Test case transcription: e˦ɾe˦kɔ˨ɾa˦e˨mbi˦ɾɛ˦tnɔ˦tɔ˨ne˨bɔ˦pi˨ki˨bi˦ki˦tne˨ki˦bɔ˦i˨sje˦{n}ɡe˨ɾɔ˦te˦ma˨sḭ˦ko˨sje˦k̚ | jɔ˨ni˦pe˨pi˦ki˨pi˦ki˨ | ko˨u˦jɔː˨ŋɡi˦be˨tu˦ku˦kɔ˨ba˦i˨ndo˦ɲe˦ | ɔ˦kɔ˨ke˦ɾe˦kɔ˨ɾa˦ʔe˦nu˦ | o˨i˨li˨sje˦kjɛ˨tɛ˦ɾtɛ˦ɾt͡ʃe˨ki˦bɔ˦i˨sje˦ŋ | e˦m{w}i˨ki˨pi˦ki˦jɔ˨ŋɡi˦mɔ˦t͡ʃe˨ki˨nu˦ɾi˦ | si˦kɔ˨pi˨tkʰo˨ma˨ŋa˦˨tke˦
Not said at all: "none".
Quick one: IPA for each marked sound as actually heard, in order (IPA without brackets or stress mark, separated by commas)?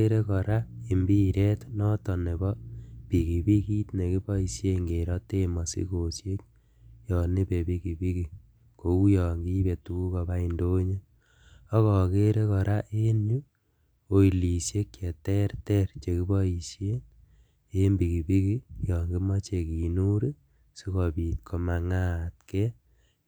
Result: ŋ, b